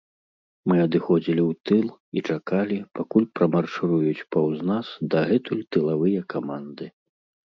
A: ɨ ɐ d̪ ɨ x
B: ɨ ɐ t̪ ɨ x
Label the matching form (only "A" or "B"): A